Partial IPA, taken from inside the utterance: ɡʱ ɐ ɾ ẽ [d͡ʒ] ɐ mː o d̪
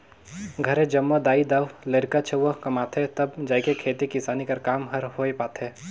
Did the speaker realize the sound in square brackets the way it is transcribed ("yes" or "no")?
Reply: yes